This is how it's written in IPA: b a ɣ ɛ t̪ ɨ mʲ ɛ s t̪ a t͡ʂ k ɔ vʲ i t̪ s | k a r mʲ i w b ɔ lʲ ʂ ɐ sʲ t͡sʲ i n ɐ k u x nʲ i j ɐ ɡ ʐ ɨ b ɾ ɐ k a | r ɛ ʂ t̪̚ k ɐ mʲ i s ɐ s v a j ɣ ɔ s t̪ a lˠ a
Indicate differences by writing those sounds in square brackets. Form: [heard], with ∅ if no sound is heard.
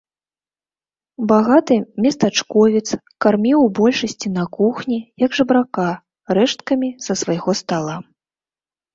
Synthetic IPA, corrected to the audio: b a ɣ [a] t̪ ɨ mʲ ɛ s t̪ a t͡ʂ k ɔ vʲ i t̪ s | k a r mʲ i w b ɔ lʲ ʂ ɐ sʲ t͡sʲ i n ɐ k u x nʲ i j ɐ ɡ ʐ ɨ b ɾ [a] k a | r ɛ ʂ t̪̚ k ɐ mʲ i s ɐ s v a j ɣ ɔ s t̪ a lˠ a